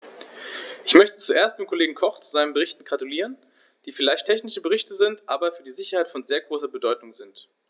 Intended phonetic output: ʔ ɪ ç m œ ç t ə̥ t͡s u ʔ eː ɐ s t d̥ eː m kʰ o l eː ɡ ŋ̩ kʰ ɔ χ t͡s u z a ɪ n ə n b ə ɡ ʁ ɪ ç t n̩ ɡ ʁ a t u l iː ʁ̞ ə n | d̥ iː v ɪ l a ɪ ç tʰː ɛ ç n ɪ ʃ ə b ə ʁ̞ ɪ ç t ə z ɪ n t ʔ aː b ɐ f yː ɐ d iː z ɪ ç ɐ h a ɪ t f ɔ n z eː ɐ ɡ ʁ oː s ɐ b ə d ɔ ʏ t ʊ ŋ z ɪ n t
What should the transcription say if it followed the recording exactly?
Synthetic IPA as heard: ʔ ɪ ç m œ ç t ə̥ t͡s u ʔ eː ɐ s t d̥ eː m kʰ o l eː ɡ ŋ̩ kʰ ɔ χ t͡s u z a ɪ n ə n b ə ʁ ɪ ç t n̩ ɡ ʁ a t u l iː ʁ̞ ə n | d̥ iː f ɪ l a ɪ ç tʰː ɛ ç n ɪ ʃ ə b ə ʁ̞ ɪ ç t ə z ɪ n t ʔ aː b ɐ f yː ɐ d iː z ɪ ç ɐ h a ɪ t f ɔ n z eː ɐ ɡ ʁ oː s ɐ b ə d ɔ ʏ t ʊ ŋ z ɪ n t